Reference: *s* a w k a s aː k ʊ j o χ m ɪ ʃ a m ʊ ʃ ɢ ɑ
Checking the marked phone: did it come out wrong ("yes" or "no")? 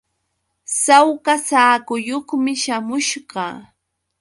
no